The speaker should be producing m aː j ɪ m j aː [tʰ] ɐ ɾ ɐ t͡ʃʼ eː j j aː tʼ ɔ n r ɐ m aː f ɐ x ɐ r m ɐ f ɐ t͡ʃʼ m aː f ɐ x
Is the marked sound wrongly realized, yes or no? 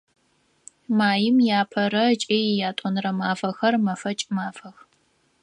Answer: yes